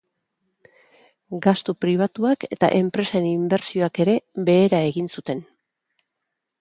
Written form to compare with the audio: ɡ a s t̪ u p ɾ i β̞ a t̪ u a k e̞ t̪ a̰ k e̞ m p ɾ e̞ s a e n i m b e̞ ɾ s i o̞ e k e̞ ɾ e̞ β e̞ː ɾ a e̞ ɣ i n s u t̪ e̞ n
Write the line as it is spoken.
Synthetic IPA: ɡ a s t̪ u p ɾ i β̞ a t̪ u a k e̞ t̪ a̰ ʔ e̞ m p ɾ e̞ s a e n i m b e̞ ɾ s i o̞ a k e̞ ɾ e̞ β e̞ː ɾ a e̞ ɣ i n s u t̪ e̞ n